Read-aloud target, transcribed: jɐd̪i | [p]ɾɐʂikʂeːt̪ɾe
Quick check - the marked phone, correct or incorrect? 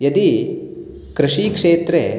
incorrect